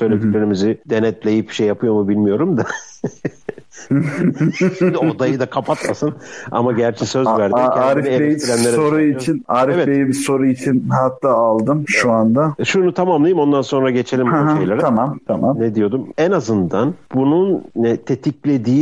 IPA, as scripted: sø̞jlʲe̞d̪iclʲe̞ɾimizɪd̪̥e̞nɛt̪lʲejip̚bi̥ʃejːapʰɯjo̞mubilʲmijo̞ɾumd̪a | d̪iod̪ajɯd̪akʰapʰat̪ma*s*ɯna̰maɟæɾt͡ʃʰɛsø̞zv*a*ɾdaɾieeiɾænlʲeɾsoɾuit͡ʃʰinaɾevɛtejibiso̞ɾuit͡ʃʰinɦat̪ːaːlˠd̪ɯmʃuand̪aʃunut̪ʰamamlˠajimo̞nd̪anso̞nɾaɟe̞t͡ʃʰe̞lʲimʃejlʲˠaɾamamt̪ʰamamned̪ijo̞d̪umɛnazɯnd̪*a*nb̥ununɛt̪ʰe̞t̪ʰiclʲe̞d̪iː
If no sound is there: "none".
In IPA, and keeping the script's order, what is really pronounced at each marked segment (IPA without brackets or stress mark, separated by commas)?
s, æ, a